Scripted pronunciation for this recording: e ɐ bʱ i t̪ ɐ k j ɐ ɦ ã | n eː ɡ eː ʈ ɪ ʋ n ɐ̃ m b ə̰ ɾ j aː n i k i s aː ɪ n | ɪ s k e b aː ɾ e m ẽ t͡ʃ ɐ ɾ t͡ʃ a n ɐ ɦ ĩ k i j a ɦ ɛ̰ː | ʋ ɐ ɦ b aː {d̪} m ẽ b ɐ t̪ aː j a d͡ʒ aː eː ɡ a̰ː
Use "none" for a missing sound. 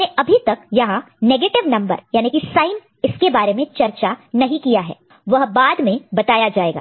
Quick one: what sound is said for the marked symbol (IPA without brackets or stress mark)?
d̪